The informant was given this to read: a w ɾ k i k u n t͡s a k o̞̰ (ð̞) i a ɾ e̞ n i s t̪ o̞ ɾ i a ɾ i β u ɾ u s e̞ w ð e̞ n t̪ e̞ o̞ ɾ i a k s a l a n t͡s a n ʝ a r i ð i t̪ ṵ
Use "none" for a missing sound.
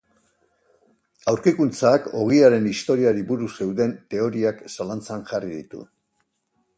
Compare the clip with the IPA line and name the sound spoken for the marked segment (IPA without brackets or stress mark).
ɣ̞